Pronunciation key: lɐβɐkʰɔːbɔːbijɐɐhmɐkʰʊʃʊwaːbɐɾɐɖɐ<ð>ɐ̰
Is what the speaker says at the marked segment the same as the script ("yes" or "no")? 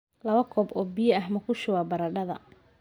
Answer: yes